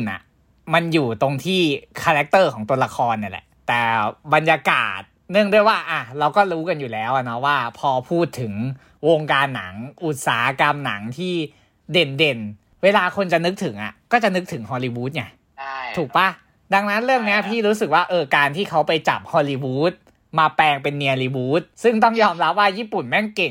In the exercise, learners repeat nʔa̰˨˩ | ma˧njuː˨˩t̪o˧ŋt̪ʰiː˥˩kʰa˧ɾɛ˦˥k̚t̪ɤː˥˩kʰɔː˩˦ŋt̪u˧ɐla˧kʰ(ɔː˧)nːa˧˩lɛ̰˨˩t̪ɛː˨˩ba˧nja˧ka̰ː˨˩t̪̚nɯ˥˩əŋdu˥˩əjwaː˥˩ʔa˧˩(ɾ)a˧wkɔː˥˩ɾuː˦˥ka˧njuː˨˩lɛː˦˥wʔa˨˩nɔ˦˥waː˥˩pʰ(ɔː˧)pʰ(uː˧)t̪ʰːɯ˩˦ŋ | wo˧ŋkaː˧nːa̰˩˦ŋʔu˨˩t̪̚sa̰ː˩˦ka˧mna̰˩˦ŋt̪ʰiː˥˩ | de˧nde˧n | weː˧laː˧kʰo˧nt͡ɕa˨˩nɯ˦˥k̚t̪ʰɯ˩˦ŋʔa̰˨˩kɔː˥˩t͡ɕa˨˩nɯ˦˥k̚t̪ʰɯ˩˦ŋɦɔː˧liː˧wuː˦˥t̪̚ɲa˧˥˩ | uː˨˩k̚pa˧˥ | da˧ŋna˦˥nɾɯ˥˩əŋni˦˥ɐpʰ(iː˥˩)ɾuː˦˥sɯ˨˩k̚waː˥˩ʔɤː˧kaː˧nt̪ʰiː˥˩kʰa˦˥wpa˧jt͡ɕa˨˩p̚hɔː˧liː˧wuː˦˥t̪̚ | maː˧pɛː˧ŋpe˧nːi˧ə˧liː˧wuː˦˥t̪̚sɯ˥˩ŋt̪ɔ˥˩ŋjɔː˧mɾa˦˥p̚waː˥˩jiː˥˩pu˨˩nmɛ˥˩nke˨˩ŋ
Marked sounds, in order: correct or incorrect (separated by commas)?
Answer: correct, correct, correct, incorrect, correct